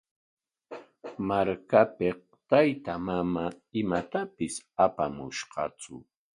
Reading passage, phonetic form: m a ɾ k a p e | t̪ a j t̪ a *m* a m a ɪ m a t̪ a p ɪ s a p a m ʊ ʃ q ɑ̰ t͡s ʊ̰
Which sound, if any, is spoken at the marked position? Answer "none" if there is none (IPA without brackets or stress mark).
m